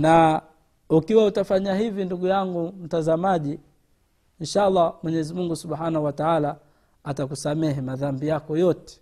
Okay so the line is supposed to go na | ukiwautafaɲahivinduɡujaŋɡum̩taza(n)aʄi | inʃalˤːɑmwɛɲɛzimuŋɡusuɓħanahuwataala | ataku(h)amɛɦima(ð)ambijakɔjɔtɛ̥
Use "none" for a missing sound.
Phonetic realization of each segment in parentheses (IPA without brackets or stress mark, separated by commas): m, s, ð